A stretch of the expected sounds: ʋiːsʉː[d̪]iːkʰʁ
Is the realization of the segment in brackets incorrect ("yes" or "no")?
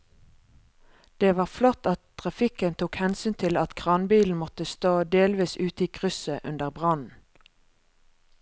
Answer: yes